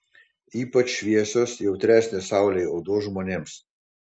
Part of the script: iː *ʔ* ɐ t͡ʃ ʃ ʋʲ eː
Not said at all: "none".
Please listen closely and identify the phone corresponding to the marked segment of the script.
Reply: p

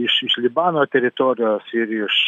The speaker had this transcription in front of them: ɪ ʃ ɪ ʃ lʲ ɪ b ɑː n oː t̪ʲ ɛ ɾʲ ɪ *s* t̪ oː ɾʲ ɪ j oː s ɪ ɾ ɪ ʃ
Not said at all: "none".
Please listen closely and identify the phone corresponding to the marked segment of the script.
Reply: none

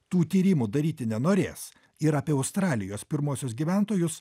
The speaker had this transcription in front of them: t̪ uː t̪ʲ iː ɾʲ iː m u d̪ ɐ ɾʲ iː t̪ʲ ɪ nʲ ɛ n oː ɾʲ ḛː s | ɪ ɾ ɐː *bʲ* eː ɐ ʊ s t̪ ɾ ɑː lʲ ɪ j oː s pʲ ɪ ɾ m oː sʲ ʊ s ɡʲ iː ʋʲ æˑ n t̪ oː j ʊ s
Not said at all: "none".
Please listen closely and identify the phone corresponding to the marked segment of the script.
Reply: pʲ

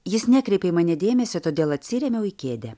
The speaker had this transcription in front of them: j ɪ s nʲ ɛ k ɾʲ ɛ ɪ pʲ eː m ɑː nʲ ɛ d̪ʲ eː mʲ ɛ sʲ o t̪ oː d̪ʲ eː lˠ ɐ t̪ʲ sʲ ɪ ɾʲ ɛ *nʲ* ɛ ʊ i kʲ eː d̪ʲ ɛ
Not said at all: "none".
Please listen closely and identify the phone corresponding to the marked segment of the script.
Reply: mʲ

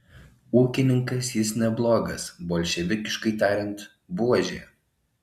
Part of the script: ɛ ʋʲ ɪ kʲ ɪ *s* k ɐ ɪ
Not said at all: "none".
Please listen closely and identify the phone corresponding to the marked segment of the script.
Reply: ʃ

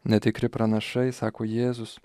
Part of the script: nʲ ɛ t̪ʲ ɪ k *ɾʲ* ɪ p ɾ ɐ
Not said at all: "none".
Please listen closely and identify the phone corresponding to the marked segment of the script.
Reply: ɾʲ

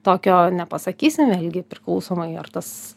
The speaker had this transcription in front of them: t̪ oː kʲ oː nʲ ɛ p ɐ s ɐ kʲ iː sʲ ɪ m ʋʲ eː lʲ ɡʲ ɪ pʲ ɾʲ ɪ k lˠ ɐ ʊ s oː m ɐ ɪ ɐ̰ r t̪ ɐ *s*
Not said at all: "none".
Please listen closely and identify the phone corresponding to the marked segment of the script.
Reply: s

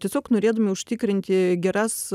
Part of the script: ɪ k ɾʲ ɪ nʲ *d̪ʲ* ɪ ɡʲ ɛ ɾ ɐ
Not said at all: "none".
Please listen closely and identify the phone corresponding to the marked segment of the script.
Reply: t̪ʲ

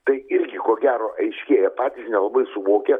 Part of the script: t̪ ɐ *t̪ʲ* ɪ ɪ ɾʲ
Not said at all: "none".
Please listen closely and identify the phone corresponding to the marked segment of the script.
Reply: none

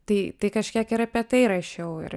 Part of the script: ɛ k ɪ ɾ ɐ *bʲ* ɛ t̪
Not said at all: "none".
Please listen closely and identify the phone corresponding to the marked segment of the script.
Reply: pʲ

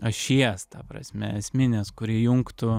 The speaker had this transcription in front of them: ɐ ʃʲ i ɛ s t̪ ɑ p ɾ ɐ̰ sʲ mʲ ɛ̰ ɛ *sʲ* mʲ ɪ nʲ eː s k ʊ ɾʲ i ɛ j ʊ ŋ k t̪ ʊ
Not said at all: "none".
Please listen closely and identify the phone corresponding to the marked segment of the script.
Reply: sʲ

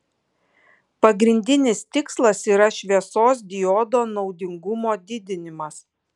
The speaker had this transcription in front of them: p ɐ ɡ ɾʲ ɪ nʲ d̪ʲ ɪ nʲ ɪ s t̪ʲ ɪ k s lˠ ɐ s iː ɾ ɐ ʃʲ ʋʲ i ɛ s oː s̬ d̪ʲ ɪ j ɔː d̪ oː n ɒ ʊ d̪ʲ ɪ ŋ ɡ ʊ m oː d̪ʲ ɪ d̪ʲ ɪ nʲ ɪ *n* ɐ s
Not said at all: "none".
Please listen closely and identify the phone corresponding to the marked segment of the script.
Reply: m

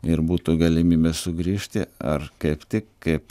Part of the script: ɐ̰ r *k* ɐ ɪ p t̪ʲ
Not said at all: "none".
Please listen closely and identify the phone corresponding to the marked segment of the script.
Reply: k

